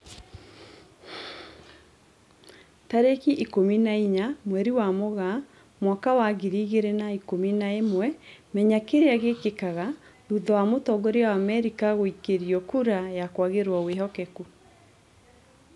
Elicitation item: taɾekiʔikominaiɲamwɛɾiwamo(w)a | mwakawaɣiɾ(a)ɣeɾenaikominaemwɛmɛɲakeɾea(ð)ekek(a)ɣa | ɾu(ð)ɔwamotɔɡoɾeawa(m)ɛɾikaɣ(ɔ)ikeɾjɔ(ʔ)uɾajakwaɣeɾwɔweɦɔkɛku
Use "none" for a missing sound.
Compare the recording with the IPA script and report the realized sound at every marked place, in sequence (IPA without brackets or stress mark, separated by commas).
ɣ, i, ɣ, a, ð, m, o, k